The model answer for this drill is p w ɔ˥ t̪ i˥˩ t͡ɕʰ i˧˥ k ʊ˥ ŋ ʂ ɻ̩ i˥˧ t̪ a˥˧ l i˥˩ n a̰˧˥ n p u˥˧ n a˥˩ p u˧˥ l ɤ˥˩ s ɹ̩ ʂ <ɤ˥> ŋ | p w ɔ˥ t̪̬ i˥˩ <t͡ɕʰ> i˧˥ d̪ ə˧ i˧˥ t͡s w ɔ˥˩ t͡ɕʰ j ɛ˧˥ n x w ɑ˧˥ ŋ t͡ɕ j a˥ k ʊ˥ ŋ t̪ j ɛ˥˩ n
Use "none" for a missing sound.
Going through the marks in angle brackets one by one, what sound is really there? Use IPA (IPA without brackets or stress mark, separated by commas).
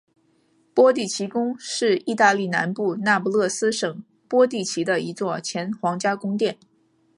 ɤ˨˩, t͡ɕʰ